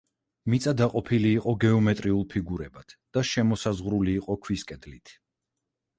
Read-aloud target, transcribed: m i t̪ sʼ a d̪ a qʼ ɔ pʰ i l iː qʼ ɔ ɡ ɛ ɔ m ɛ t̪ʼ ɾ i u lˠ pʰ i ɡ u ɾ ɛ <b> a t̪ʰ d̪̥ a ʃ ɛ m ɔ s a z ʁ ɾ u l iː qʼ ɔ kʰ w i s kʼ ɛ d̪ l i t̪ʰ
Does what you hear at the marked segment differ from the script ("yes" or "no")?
no